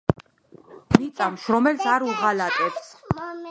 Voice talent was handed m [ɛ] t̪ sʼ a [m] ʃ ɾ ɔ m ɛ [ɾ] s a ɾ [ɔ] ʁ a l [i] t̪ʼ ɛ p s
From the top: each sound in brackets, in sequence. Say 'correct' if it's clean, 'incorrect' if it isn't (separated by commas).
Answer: incorrect, correct, incorrect, incorrect, incorrect